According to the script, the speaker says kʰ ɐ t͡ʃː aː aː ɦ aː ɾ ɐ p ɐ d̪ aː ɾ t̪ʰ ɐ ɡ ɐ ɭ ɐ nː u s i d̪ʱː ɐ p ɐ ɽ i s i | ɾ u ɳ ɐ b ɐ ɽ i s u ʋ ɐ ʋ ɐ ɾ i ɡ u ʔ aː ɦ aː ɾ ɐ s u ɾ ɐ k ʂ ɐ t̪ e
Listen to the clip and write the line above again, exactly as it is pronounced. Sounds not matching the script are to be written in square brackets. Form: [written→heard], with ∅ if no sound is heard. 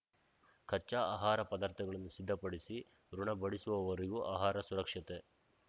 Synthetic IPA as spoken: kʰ ɐ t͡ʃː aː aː ɦ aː ɾ ɐ p ɐ d̪ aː ɾ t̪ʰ ɐ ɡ ɐ ɭ ɐ nː u s i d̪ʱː ɐ p ɐ ɽ i s i | ɾ u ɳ ɐ b ɐ ɽ i s u ʋ ɐ ʋ ɐ ɾ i ɡ u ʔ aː ɦ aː ɾ ɐ s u ɾ ɐ k ʂ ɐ t̪ e

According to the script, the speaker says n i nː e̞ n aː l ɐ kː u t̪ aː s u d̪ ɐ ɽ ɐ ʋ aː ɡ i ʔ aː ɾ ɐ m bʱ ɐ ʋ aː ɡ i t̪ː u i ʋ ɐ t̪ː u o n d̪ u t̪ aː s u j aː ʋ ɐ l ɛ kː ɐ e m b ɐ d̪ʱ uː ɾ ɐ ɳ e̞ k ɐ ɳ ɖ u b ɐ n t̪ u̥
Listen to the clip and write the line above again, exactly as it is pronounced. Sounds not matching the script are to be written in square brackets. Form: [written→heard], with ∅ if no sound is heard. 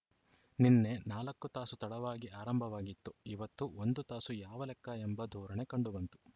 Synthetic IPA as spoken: n i nː e̞ n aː l ɐ kː u t̪ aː s u [d̪→t̪] ɐ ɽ ɐ ʋ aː ɡ i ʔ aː ɾ ɐ m bʱ ɐ ʋ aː ɡ i t̪ː u i ʋ ɐ t̪ː u o n d̪ u t̪ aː s u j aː ʋ ɐ l ɛ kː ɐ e m b ɐ d̪ʱ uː ɾ ɐ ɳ e̞ k ɐ ɳ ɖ u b ɐ n t̪ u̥

